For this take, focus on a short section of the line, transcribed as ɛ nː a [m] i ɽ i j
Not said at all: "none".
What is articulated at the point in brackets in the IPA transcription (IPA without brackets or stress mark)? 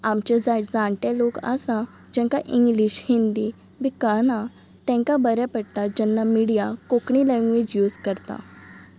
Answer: m